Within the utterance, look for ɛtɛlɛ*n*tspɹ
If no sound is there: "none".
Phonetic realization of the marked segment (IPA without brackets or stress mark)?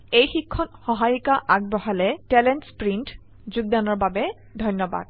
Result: n